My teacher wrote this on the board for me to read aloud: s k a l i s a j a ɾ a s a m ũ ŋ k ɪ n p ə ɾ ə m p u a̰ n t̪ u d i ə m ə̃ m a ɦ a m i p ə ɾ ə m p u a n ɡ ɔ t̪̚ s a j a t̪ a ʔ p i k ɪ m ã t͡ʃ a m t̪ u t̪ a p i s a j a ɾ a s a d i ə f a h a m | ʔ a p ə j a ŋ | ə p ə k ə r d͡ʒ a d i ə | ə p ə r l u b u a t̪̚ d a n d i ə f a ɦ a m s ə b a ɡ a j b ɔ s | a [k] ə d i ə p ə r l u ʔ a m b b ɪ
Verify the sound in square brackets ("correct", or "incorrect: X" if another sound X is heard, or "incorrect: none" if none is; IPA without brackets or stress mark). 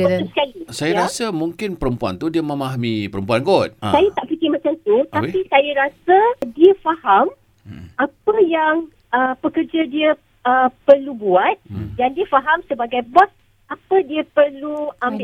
incorrect: p